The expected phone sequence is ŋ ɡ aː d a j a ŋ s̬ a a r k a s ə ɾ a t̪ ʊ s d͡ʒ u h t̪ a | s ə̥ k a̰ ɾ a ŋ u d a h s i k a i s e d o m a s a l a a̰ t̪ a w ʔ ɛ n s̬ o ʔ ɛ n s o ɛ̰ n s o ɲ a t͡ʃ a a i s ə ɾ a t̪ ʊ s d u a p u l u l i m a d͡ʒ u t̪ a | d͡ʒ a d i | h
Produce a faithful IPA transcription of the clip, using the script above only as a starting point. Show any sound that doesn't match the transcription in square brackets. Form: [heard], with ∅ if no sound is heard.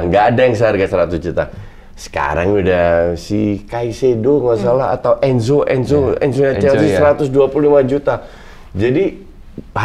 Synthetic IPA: ŋ ɡ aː d a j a ŋ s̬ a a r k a s ə ɾ a t̪ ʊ s d͡ʒ u [∅] t̪ a | s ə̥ k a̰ ɾ a ŋ u d a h s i k a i s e d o m a s a l a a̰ t̪ a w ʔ ɛ n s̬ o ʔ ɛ n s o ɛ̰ n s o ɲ a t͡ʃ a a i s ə ɾ a t̪ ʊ s d u a p u l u l i m a d͡ʒ u t̪ a | d͡ʒ a d i | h